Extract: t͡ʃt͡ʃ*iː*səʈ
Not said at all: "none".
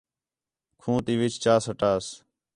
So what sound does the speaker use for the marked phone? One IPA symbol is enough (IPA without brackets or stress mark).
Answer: aː